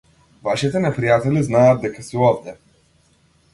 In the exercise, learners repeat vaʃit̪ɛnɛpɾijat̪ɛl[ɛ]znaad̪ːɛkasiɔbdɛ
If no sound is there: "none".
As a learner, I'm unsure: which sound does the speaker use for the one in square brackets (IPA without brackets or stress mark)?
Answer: i